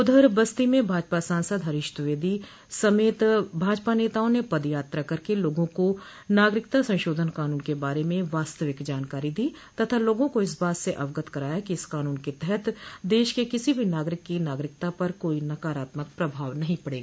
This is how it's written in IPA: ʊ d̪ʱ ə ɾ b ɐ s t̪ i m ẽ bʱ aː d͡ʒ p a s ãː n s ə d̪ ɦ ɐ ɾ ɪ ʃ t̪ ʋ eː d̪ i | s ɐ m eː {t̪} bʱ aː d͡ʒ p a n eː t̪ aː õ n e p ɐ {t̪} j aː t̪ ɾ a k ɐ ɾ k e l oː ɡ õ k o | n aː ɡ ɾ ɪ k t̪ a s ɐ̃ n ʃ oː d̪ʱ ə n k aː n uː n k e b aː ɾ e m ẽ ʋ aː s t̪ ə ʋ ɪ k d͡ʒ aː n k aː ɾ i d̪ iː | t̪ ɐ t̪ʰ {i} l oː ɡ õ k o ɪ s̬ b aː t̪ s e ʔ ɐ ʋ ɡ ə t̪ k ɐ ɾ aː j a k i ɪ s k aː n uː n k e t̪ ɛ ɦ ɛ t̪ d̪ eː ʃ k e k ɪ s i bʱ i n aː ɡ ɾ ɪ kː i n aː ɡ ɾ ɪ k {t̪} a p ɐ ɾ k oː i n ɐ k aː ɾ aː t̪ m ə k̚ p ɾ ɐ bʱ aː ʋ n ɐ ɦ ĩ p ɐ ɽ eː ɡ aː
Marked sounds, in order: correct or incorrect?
correct, incorrect: d̪, incorrect: a, correct

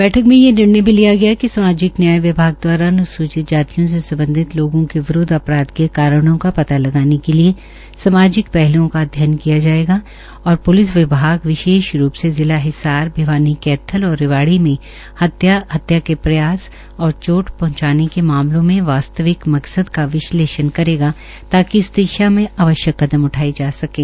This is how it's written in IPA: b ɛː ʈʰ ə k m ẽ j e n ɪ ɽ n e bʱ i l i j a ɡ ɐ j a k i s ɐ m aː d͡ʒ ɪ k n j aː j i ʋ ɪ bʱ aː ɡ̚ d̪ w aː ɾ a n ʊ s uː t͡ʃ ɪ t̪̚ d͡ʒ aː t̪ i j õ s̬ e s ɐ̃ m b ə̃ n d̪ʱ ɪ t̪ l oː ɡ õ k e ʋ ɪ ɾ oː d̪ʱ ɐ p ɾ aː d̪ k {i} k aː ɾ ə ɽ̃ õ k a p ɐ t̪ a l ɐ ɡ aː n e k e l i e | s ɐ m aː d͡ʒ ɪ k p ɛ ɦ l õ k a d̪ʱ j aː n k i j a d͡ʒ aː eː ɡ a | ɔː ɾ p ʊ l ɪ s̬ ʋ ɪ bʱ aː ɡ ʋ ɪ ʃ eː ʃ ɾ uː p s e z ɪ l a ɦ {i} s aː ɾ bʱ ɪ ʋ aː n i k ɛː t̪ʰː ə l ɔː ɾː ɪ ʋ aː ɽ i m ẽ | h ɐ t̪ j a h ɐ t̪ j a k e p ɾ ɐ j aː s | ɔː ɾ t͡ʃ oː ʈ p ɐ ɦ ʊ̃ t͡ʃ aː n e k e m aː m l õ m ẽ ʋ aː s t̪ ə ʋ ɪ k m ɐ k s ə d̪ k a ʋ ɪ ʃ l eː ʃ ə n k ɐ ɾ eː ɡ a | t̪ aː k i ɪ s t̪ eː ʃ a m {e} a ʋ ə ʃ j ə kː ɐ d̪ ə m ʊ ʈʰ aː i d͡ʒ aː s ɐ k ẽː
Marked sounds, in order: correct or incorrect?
incorrect: e, incorrect: ɪ, incorrect: ẽ

